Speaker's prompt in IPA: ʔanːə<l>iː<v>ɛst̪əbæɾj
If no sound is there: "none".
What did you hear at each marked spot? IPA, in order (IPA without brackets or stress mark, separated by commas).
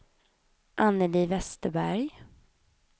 l, v